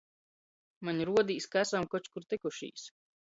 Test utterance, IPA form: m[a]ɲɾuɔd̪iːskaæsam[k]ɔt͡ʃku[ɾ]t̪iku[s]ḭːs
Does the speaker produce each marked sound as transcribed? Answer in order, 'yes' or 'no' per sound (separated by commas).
yes, yes, yes, no